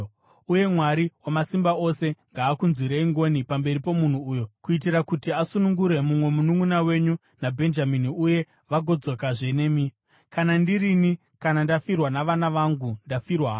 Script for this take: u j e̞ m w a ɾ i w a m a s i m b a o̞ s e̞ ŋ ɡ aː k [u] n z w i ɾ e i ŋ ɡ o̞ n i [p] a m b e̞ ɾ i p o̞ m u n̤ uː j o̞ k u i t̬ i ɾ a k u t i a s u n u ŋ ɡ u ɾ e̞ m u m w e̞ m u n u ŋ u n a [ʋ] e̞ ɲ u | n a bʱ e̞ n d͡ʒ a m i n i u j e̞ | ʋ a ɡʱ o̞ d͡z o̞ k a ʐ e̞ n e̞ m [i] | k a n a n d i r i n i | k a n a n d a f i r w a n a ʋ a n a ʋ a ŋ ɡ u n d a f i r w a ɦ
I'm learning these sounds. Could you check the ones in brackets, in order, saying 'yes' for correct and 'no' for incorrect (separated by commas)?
yes, yes, no, yes